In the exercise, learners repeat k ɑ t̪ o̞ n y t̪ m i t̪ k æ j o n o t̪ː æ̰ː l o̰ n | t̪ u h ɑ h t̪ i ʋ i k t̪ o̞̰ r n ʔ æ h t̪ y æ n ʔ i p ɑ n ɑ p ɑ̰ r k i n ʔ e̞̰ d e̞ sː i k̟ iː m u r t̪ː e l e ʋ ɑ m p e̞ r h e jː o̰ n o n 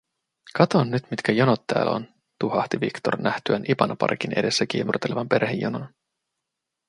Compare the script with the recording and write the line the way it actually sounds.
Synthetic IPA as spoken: k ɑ t̪ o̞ nː y t̪ m i t̪ k æ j o n o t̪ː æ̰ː l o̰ n | t̪ u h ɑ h t̪ i ʋ i k t̪ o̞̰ r n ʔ æ h t̪ y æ n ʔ i p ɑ n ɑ p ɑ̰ r k i n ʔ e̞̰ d e̞ sː æ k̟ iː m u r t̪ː e l e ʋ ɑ m p e̞ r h e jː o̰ n o n